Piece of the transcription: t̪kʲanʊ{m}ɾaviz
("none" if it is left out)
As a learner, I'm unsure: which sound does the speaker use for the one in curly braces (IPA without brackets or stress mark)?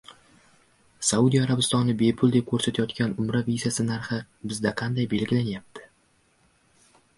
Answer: m